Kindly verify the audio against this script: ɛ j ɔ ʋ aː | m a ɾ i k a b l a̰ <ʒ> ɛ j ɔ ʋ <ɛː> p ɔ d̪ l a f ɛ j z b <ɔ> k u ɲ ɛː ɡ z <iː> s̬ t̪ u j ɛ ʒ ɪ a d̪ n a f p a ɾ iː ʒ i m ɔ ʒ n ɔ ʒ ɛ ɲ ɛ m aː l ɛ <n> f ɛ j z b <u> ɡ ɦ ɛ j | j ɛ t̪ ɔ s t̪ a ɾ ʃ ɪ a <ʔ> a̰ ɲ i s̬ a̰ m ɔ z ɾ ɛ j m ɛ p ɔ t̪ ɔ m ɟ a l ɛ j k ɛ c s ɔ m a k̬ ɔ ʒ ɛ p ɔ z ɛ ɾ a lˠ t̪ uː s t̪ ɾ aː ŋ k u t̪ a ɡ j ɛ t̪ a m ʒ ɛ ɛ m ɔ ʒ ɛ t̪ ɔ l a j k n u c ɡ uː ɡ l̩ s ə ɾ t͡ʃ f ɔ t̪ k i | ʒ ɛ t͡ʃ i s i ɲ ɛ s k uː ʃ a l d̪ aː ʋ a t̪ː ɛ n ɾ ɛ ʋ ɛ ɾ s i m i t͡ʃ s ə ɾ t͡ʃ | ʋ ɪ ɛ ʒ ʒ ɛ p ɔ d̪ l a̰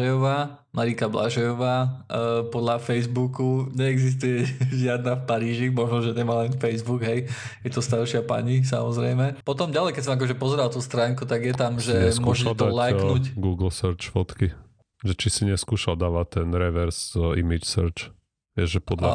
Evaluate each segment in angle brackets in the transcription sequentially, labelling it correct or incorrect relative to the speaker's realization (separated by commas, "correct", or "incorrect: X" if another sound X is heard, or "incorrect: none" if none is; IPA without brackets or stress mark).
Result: correct, incorrect: aː, incorrect: u, incorrect: i, correct, correct, incorrect: p